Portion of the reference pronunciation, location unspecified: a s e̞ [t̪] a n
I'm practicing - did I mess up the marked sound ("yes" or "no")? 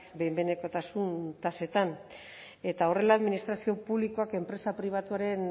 no